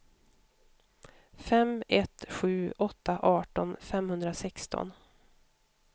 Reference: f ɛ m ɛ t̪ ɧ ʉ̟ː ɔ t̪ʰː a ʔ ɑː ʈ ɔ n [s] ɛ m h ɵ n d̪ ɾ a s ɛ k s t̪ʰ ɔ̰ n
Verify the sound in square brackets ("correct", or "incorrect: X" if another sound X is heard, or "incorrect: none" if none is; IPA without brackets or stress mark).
incorrect: f